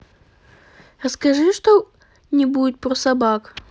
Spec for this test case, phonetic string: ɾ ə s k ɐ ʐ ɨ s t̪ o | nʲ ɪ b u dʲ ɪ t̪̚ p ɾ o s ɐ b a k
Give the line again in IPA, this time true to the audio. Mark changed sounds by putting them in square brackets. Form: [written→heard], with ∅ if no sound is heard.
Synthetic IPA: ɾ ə s k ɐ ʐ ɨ [s→ʂ] t̪ o | nʲ ɪ b u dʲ ɪ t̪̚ p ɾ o s ɐ b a k